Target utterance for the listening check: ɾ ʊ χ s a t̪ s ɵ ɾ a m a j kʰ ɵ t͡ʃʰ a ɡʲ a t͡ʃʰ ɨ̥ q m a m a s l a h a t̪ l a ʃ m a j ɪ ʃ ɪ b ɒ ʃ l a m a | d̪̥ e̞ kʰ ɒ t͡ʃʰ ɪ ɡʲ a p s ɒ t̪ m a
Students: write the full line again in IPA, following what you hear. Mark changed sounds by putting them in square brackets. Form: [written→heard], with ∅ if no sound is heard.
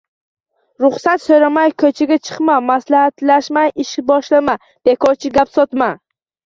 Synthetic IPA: ɾ ʊ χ s a t̪ s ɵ ɾ a m a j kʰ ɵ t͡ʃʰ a ɡʲ a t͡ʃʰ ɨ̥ q m a m a s l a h a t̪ l a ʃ m a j ɪ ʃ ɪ b ɒ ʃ l a m a | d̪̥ e̞ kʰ ɒ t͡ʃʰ ɪ ɡʲ a p s ɒ t̪ m a